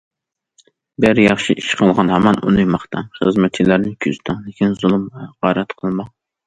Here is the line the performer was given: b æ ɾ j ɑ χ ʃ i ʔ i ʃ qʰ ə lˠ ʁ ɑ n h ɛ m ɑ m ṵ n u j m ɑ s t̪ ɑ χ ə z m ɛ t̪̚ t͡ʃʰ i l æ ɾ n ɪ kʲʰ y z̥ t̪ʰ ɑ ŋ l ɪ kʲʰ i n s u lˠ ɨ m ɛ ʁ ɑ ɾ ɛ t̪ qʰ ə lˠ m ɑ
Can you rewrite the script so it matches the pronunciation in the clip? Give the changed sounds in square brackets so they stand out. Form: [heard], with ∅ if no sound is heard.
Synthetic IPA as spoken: b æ ɾ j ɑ χ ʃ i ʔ i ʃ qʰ ə lˠ ʁ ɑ n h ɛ m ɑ [n] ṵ n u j m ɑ [χ] t̪ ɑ χ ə z m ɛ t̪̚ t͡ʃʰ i l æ ɾ n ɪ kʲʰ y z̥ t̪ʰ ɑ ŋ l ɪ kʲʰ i n [z] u lˠ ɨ m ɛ ʁ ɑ ɾ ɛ t̪ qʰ ə lˠ m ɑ

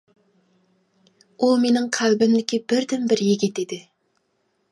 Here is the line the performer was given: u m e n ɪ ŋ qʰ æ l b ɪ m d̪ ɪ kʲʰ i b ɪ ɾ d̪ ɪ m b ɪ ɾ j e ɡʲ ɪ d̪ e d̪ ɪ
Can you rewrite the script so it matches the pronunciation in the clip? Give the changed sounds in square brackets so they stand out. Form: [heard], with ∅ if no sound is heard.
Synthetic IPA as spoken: u m e n ɪ ŋ qʰ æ l b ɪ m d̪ ɪ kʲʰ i b ɪ ɾ d̪ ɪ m b ɪ ɾ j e ɡʲ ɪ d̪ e d̪ ɪ

